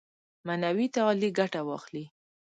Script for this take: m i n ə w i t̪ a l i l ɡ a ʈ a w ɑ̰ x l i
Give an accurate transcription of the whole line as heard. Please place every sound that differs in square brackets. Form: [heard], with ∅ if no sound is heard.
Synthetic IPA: m [a] n [a] w i t̪ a l i [∅] ɡ a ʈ a w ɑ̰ x l i